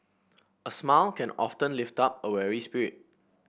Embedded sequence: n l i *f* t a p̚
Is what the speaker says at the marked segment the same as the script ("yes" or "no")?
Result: yes